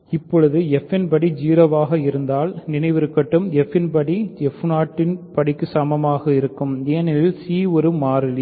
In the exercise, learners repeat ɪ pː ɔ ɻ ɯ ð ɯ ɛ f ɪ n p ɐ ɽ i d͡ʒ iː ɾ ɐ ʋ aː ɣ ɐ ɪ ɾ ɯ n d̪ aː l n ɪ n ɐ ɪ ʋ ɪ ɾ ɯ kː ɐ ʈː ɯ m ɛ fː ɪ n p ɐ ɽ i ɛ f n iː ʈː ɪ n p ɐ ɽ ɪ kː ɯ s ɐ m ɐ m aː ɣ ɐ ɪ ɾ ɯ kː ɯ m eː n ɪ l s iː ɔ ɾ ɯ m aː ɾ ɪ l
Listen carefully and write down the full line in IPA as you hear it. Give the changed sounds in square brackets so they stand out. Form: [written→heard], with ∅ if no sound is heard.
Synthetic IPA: ɪ pː ɔ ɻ ɯ ð ɯ ɛ f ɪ n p ɐ ɽ i d͡ʒ iː ɾ ɐ ʋ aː ɣ ɐ ɪ ɾ ɯ n d̪ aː l n ɪ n ɐ ɪ ʋ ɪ ɾ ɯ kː ɐ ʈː ɯ m ɛ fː ɪ n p ɐ ɽ i ɛ f n [iː→aː] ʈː ɪ n p ɐ ɽ ɪ kː ɯ s ɐ m ɐ m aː ɣ ɐ ɪ ɾ ɯ kː ɯ m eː n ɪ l s iː ɔ ɾ ɯ m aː ɾ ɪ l